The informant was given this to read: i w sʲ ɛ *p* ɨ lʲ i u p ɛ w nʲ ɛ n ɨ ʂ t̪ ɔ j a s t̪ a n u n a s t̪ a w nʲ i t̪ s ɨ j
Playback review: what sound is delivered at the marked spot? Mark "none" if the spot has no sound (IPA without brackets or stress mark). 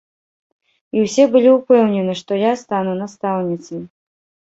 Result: b